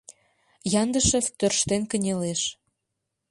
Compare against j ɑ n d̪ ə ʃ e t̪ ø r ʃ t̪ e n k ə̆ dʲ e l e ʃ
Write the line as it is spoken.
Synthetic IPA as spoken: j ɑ n d̪ ə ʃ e t̪ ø r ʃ t̪ e n k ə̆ nʲ e l e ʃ

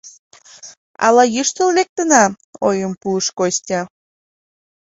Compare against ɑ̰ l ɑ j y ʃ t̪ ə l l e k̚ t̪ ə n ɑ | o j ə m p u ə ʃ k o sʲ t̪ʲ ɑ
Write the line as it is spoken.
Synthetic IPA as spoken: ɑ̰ l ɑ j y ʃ t̪ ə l l e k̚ t̪ ə n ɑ | o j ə m p u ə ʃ k o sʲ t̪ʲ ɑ

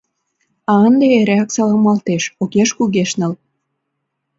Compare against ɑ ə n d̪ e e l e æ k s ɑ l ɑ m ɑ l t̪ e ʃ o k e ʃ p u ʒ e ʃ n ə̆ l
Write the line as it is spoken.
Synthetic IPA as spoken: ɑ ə n d̪ e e ɾ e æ k s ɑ l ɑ m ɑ l t̪ e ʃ o k e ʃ k u ɣ e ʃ n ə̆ l

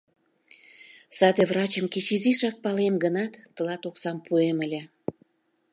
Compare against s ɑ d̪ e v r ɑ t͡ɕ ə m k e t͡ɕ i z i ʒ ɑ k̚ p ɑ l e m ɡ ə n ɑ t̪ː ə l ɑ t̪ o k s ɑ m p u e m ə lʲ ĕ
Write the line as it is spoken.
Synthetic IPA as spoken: s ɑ d̪ e v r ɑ t͡ɕ ə m k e t͡ɕ i z i ʃ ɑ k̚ p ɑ l e m ɡ ə n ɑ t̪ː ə l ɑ t̪ o k s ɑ m p u e m ə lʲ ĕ

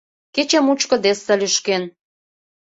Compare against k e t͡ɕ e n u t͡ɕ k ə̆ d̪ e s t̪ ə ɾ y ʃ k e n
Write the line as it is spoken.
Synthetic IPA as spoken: k e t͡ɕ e m u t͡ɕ k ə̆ d̪ e s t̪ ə l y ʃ k e n

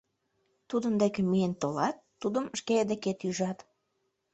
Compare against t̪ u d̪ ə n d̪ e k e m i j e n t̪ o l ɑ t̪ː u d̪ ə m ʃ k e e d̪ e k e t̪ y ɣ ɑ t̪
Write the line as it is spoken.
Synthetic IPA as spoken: t̪ u d̪ ə n d̪ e k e m i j e n t̪ o l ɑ t̪ː u d̪ ə m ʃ k e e d̪ e k e t̪ y ʒ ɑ t̪

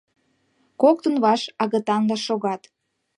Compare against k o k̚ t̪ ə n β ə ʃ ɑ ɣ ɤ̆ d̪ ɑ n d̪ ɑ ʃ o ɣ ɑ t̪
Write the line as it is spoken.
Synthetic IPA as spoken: k o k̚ t̪ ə n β ɑ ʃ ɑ ɣ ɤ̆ t̪ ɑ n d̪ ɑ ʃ o ɣ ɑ t̪

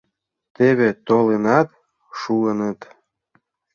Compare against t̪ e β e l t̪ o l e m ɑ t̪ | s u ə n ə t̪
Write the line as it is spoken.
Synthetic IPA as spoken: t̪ e β e t̪ o l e n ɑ t̪ | ʃ u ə n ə t̪

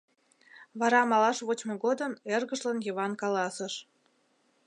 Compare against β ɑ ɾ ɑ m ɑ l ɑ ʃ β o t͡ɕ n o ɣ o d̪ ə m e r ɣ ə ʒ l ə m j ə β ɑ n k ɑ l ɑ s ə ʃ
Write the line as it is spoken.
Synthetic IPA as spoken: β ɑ ɾ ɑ m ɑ l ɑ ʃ β o t͡ɕ m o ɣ o d̪ ə m e r ɣ ə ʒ l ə n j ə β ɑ n k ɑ l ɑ s ə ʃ

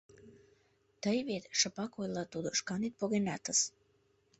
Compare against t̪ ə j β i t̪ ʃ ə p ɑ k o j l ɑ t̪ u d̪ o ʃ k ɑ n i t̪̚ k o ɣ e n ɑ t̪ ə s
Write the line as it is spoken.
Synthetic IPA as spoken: t̪ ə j β e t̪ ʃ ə p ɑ k o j l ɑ t̪ u d̪ o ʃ k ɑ n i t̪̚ p o ɣ e n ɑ t̪ ə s

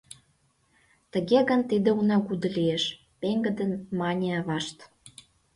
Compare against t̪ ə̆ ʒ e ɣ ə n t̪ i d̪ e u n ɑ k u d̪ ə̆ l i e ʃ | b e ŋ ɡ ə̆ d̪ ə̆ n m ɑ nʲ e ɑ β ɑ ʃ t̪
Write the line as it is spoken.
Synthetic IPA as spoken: t̪ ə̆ ɣ e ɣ ə n t̪ i d̪ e u n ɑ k u d̪ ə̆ l i e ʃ | p e ŋ ɡ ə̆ d̪ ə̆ n m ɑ nʲ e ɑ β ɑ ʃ t̪

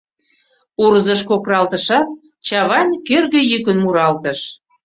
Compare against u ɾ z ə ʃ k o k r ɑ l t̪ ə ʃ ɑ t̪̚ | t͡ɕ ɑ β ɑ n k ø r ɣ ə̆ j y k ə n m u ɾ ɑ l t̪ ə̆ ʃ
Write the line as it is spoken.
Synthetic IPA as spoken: u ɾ z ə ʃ k o k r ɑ l t̪ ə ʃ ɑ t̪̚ | t͡ɕ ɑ β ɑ n k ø r ɣ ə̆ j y k ə n m u ɾ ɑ l t̪ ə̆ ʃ

